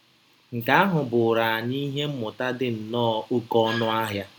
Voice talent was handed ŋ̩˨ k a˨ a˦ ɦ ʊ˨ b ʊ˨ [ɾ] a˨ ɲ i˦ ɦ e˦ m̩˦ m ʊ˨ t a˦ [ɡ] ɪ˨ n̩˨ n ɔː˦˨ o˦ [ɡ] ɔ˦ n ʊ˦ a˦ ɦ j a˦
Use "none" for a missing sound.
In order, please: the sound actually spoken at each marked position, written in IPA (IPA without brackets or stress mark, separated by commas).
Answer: ɾ, d, k